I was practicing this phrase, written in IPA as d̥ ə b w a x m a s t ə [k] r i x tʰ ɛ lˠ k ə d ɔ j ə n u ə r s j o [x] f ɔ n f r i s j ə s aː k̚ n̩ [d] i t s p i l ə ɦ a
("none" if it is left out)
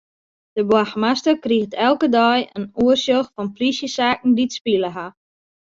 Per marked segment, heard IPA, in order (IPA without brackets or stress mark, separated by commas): k, x, d